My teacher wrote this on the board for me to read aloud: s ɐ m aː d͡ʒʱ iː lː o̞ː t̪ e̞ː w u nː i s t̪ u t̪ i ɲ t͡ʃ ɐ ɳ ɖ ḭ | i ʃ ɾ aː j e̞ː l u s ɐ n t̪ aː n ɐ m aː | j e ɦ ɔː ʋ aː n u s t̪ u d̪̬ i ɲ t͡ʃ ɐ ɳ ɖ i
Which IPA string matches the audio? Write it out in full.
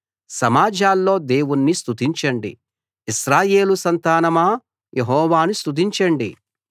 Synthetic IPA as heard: s ɐ m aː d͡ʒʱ aː lː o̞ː d̪ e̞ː w u nː i s t̪ u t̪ i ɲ t͡ʃ ɐ ɳ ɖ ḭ | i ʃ ɾ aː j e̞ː l u s ɐ n t̪ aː n ɐ m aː | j e ɦ ɔː ʋ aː n u s t̪ u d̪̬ i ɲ t͡ʃ ɐ ɳ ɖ i